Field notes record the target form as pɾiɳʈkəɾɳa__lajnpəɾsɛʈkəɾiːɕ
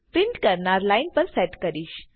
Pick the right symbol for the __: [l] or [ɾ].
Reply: ɾ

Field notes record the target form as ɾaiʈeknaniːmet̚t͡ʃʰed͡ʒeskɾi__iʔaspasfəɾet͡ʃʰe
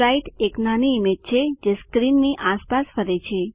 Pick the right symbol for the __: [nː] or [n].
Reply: nː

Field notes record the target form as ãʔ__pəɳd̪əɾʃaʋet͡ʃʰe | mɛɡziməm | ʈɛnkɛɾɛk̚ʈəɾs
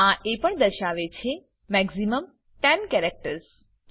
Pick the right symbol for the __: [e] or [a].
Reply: e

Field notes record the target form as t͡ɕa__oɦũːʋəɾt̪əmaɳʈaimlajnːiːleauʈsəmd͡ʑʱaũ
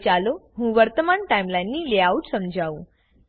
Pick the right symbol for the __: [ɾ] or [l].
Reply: l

